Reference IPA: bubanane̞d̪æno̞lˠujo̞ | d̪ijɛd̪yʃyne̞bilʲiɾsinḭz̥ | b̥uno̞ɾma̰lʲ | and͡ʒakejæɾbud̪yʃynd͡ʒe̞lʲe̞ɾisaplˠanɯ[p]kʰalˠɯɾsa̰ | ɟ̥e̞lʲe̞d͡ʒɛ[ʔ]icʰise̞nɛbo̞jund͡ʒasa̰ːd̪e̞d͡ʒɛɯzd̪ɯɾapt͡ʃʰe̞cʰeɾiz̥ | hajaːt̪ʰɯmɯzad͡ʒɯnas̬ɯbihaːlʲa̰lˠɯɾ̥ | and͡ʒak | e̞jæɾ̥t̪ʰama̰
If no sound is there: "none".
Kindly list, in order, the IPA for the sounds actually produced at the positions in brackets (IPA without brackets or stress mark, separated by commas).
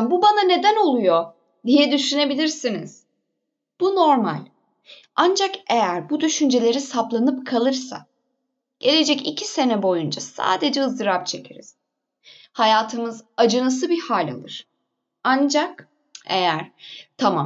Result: p, c